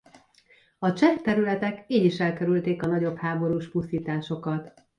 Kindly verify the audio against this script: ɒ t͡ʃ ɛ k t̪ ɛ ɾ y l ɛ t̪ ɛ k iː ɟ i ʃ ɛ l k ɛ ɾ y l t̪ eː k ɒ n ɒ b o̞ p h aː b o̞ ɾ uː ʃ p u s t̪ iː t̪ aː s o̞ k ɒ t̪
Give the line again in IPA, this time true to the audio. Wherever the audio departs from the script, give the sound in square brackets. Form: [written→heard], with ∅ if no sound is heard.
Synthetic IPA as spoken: ɒ t͡ʃ ɛ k t̪ ɛ ɾ y l ɛ t̪ ɛ k iː ɟ i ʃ ɛ l k ɛ ɾ y l t̪ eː k ɒ n ɒ [b→ɟ] o̞ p h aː b o̞ ɾ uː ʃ p u s t̪ iː t̪ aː [s→ʃ] o̞ k ɒ t̪